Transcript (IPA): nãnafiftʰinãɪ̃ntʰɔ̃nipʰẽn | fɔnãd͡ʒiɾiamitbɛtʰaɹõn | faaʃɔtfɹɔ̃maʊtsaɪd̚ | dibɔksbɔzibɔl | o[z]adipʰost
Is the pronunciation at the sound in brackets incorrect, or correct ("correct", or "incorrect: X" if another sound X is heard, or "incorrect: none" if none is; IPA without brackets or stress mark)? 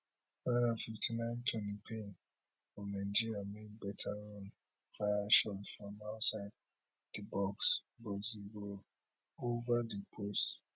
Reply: incorrect: v